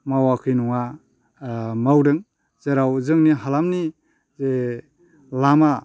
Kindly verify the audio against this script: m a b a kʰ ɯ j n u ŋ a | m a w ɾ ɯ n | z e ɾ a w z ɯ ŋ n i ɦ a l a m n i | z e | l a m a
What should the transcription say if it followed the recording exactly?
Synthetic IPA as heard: m a w a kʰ ɯ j n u ŋ a | m a w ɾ ɯ ŋ | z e ɾ a w z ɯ ŋ n i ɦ a l a m n i | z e | l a m a